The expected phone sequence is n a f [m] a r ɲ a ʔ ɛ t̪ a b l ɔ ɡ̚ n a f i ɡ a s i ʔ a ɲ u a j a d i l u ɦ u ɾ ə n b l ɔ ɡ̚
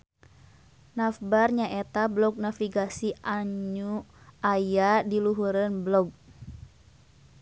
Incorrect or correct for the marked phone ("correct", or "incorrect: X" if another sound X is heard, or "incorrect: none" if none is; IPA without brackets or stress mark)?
incorrect: b